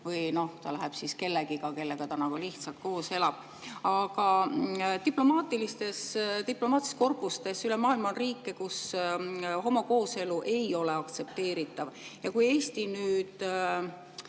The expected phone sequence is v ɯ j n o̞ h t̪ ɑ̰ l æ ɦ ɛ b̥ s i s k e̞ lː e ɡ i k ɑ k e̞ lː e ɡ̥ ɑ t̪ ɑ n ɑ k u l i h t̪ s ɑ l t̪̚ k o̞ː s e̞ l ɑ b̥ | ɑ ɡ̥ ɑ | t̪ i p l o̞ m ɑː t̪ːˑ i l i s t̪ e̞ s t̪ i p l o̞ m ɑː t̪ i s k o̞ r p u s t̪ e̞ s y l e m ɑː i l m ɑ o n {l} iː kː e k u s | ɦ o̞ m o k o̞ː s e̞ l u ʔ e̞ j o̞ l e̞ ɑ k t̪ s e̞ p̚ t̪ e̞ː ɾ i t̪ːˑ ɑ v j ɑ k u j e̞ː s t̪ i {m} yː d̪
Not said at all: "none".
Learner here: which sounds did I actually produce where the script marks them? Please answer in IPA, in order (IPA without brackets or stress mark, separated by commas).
r, n